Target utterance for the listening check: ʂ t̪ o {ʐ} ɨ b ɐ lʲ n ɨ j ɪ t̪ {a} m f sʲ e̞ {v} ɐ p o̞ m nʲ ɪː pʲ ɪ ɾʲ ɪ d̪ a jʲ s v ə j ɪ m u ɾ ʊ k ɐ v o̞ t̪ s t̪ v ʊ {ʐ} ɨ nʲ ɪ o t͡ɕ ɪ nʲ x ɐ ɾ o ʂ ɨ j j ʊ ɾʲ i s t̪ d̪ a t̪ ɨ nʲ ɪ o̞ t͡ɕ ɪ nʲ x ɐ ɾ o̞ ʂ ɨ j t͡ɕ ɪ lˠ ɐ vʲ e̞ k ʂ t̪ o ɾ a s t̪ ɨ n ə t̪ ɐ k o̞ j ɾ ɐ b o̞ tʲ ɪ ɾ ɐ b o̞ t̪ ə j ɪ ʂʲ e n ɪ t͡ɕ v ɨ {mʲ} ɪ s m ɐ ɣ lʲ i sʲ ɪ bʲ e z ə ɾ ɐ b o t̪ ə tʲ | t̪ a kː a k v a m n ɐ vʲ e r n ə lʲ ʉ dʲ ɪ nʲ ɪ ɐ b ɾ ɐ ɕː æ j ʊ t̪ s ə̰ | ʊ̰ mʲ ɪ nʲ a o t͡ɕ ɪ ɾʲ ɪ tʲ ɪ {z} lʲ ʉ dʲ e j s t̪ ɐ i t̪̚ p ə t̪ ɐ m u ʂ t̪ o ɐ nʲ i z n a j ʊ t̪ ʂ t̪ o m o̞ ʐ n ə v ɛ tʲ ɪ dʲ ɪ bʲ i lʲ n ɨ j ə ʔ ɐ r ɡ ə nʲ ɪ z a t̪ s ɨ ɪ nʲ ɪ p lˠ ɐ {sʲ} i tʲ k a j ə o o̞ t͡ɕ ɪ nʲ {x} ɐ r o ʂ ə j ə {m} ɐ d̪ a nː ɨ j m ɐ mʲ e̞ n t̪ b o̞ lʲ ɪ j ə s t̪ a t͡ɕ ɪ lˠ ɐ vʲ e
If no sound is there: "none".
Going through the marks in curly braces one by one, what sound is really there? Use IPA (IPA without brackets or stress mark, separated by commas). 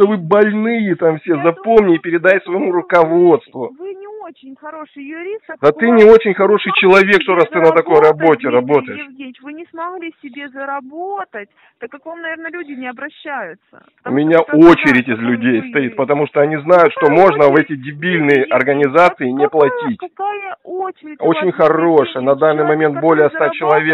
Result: v, a, z, v, nʲ, z, tʲ, x, n